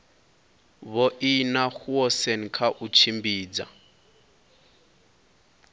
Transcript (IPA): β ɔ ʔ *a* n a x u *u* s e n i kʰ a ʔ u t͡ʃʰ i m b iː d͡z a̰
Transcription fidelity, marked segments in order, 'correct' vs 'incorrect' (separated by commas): incorrect, incorrect